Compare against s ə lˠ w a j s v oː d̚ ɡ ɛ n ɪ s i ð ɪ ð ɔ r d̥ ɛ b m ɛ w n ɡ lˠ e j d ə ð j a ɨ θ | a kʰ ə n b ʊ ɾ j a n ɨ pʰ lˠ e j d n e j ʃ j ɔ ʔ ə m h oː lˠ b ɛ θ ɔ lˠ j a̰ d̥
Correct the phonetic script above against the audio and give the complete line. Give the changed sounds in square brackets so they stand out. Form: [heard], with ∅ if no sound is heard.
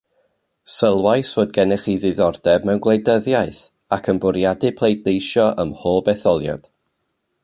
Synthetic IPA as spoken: s ə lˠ w a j s v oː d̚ ɡ ɛ n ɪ [χ] i ð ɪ ð ɔ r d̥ ɛ b m ɛ w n ɡ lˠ e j d ə ð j a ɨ θ | a kʰ ə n b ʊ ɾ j a [d] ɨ pʰ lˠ e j d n e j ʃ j ɔ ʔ ə m h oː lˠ b ɛ θ ɔ lˠ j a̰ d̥

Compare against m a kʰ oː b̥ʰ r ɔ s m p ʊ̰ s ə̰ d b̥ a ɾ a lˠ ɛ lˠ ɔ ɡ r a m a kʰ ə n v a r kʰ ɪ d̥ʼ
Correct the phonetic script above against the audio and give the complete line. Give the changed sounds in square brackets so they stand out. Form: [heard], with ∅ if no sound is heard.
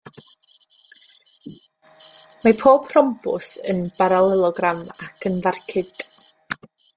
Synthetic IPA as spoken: m a [pʰ] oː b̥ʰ r ɔ [∅] m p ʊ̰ s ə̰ [n] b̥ a ɾ a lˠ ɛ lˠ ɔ ɡ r a m a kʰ ə n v a r kʰ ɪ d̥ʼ

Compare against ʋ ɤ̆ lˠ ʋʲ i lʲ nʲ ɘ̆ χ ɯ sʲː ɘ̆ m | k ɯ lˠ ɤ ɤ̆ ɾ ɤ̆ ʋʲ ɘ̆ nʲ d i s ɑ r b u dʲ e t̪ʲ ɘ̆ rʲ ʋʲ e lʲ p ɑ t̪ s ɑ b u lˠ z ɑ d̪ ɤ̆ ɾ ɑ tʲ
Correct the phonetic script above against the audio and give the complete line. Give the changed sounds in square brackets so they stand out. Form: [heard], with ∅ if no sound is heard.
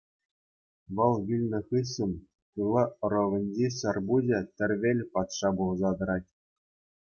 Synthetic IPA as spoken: ʋ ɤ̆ lˠ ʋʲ i lʲ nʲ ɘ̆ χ ɯ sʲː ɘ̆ m | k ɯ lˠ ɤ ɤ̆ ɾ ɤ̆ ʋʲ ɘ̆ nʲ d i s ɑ r b u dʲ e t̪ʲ ɘ̆ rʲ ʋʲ e lʲ p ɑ t̪ [ʂ] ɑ b u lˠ z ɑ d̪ ɤ̆ ɾ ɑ tʲ

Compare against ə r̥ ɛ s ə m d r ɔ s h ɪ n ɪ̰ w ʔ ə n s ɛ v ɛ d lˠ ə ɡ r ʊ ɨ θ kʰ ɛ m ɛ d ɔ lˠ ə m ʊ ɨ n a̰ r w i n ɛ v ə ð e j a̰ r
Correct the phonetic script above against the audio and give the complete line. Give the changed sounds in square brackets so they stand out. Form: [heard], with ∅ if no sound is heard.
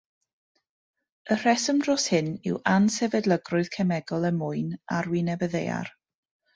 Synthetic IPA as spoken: ə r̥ ɛ s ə m d r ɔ s h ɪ n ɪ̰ w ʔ [a] n s ɛ v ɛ d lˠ ə ɡ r ʊ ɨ [ð] kʰ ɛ m ɛ [ɡ] ɔ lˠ ə m ʊ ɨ n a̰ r w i n ɛ v ə ð e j a̰ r

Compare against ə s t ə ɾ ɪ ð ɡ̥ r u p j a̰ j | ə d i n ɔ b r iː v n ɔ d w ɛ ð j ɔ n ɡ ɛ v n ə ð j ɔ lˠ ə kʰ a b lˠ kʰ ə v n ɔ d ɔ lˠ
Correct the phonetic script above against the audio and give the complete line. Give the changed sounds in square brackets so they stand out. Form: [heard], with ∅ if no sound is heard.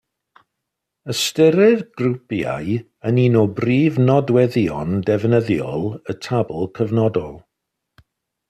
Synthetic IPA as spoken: ə s t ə ɾ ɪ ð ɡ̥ r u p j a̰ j | ə [n] i n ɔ b r iː v n ɔ d w ɛ ð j ɔ n [d] ɛ v n ə ð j ɔ lˠ ə [tʰ] a b lˠ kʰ ə v n ɔ d ɔ lˠ

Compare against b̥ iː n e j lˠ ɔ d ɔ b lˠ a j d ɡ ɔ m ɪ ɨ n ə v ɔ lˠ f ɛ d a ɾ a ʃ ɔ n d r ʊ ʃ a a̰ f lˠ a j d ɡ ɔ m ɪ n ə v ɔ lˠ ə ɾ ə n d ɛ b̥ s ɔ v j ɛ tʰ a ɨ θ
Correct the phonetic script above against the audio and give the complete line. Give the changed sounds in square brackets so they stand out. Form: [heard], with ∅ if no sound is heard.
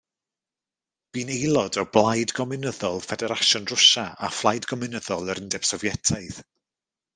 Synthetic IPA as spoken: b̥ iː n e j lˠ ɔ d ɔ b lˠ a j d ɡ ɔ m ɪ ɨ n ə [ð] ɔ lˠ f ɛ d [ɛ] ɾ a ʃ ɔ n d r ʊ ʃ a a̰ f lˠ a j d ɡ ɔ m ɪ n ə [ð] ɔ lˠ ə ɾ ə n d ɛ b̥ s ɔ v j ɛ tʰ a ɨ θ

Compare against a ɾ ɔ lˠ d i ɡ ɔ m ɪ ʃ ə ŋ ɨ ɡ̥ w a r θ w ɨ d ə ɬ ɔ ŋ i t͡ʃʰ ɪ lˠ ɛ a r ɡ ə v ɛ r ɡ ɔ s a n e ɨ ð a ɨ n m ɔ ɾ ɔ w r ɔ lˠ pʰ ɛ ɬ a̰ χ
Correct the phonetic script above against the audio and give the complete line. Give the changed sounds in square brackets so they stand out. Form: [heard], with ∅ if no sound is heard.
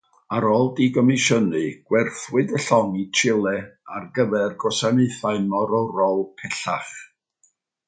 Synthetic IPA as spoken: a ɾ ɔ lˠ d i ɡ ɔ m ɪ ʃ ə [n] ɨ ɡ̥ w [ɛ] r θ w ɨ d ə ɬ ɔ ŋ i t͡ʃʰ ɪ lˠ ɛ a r ɡ ə v ɛ r ɡ ɔ s a n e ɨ [θ] a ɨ n m ɔ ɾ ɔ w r ɔ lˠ pʰ ɛ ɬ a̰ χ

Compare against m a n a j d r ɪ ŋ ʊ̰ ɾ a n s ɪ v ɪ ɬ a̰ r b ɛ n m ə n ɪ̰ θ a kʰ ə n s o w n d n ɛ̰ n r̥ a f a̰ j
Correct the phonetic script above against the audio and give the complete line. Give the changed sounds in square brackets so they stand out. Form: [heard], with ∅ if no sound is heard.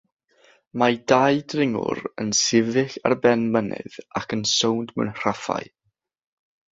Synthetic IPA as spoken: m a [d] a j d r ɪ ŋ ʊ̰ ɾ [ə] n s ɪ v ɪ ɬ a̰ r b ɛ n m ə n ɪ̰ [ð] a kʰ ə n s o w n d [m] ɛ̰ n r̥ a f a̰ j

